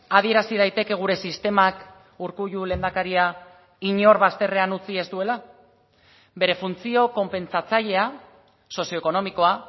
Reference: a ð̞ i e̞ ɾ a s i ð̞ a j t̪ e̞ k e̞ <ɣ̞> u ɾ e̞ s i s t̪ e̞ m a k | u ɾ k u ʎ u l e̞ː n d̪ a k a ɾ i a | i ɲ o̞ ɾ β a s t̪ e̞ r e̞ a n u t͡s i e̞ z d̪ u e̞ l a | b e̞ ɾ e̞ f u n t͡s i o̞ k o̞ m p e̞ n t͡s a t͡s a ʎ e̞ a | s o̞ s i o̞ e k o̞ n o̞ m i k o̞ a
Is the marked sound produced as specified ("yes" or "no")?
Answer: yes